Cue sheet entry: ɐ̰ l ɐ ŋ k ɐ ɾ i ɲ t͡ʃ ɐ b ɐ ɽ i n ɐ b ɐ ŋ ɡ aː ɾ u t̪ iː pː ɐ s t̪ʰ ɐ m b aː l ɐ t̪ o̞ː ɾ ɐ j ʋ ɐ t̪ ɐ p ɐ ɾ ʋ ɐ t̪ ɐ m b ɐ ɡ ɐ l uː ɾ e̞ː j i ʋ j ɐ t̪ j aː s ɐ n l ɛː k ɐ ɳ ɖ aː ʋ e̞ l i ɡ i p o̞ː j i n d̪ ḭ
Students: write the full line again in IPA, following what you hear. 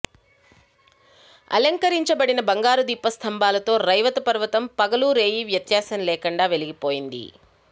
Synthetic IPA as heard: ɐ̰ l ɐ ŋ k ɐ ɾ i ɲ t͡ʃ ɐ b ɐ ɽ i n ɐ b ɐ ŋ ɡ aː ɾ u d̪ iː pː ɐ s t̪ʰ ɐ m b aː l ɐ t̪ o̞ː ɾ ɐ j ʋ ɐ t̪ ɐ p ɐ ɾ ʋ ɐ t̪ ɐ m p ɐ ɡ ɐ l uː ɾ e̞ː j i ʋ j ɐ t̪ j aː s ɐ n l ɛː k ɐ ɳ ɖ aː ʋ e̞ l i ɡ i p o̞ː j i n d̪ ḭ